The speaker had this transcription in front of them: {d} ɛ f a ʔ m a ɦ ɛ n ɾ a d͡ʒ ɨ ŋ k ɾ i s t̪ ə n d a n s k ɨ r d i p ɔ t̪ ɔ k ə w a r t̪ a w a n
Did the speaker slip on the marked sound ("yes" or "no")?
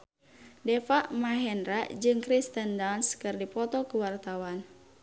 no